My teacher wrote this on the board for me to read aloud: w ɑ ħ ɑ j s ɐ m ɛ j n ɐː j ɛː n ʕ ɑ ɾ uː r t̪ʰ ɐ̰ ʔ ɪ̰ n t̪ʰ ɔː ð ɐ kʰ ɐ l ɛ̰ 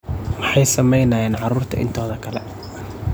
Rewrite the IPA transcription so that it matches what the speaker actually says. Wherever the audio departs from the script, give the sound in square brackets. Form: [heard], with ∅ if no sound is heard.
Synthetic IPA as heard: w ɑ ħ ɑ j s ɐ m ɛ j n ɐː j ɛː n ʕ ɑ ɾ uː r t̪ʰ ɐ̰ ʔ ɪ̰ n t̪ʰ ɔː ð ɐ kʰ ɐ l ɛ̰